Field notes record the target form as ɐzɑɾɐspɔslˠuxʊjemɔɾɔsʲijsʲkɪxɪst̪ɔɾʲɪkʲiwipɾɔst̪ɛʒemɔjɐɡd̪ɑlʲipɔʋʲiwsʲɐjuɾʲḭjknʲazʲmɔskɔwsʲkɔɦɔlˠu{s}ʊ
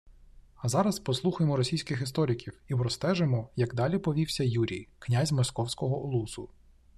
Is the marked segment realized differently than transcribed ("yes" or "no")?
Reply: no